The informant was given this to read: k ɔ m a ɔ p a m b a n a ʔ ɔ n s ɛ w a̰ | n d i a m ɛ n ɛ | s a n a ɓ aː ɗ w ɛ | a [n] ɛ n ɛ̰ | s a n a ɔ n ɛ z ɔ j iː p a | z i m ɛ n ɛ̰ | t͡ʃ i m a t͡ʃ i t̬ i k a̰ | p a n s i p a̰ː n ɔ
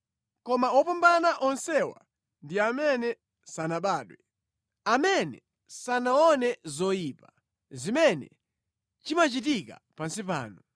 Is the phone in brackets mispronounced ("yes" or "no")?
yes